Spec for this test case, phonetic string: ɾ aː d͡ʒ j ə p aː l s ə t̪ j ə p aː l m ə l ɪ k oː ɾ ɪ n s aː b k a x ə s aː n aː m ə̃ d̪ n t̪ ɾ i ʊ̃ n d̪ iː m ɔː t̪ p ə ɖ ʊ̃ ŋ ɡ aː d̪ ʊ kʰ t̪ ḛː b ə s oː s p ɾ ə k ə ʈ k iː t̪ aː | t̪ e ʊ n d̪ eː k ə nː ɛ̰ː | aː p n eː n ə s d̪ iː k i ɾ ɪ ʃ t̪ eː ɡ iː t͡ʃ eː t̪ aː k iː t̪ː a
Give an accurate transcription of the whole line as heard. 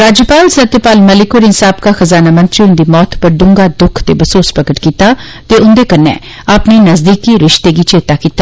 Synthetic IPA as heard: ɾ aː d͡ʒ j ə p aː l s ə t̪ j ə p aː l m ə l ɪ k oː ɾ ɪ n s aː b k a x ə z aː n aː m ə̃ n t̪ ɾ i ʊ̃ n d̪ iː m ɔː t̪ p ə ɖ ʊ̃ ŋ ɡ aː d̪ ʊ kʰ t̪ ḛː b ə s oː s p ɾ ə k ə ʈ k iː t̪ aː | t̪ e ʊ n d̪ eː k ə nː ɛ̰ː | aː p n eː n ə z d̪ iː k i ɾ ɪ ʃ t̪ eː ɡ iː t͡ʃ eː t̪ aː k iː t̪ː a